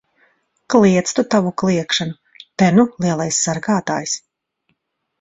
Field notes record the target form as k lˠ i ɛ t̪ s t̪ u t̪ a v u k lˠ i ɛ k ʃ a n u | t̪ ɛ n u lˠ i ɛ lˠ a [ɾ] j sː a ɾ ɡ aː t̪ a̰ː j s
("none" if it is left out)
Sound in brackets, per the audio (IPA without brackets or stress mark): none